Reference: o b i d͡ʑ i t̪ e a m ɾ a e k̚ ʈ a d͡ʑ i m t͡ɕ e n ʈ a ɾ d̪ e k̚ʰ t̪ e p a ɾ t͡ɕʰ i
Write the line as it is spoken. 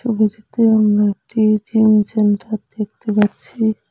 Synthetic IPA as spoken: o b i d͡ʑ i t̪ e a m ɾ a e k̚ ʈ i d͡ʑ i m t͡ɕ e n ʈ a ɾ d̪ e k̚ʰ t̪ e p a ɾ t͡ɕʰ i